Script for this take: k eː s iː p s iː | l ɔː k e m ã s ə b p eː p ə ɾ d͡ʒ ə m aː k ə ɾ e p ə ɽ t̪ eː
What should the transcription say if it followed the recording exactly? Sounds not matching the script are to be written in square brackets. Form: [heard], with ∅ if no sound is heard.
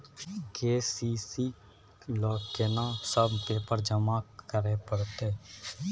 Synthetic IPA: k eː s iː [∅] s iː | l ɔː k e [n] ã s ə b p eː p ə ɾ d͡ʒ ə m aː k ə ɾ e p ə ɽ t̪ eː